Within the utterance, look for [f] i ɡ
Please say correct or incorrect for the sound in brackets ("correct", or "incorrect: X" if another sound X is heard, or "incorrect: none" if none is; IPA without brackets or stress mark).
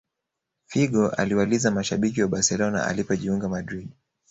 correct